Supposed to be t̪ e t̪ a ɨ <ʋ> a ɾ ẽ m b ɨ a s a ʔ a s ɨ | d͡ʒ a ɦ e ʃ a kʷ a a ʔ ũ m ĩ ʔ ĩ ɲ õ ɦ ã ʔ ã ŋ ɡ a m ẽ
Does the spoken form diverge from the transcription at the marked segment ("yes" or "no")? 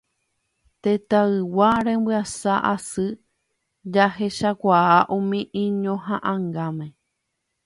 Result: yes